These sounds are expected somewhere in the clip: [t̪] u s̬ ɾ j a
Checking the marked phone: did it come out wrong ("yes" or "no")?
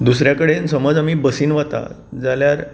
yes